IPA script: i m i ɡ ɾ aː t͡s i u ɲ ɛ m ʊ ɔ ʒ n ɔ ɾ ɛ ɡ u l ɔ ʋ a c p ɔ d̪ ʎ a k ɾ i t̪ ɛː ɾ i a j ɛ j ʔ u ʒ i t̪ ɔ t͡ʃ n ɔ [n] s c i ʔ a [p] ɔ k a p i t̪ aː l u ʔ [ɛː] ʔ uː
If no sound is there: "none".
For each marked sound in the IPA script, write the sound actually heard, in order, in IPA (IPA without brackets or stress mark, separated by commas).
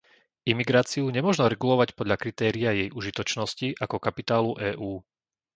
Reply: none, k, ɛː